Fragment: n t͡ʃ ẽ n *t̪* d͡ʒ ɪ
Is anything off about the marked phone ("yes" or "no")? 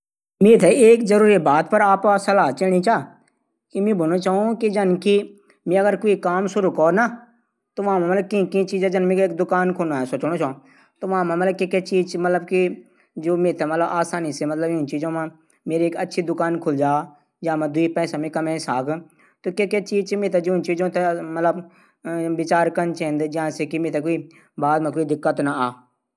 yes